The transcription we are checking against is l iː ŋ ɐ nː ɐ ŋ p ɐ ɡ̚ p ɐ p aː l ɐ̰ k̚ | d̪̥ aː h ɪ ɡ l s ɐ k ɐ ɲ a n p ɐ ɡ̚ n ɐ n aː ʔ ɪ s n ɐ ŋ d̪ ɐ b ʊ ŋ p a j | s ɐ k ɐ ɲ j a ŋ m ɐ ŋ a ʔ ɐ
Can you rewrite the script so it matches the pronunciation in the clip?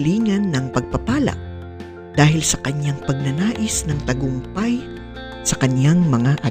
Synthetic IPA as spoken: l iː ŋ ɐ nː ɐ ŋ p ɐ ɡ̚ p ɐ p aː l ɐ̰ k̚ | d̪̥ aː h ɪ l s ɐ k ɐ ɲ a ŋ p ɐ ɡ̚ n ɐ n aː ʔ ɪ s n ɐ ŋ t̪ ɐ ɡ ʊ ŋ p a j | s ɐ k ɐ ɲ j a ŋ m ɐ ŋ a ʔ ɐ